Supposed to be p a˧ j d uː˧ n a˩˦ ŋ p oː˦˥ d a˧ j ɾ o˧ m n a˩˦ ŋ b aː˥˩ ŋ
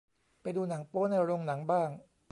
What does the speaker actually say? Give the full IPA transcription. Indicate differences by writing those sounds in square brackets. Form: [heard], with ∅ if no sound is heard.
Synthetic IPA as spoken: p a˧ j d uː˧ n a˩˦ ŋ p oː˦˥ [n] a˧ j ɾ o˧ [ŋ] n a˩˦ ŋ b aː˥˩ ŋ